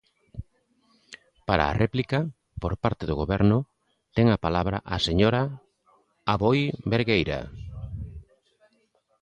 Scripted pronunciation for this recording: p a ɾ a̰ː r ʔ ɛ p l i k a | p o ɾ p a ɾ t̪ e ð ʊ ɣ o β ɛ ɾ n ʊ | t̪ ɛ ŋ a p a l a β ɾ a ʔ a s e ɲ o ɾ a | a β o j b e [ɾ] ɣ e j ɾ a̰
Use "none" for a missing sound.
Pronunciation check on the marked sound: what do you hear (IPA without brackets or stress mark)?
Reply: ɾ